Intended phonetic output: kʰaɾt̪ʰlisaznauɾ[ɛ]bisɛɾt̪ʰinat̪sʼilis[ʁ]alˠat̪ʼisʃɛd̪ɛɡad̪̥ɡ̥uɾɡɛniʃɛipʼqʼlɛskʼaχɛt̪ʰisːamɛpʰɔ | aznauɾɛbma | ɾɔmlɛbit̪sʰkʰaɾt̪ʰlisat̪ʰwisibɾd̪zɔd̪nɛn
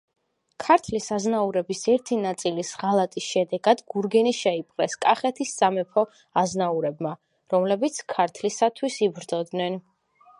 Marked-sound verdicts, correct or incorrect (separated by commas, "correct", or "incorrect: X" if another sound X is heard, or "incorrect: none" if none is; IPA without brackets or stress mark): correct, correct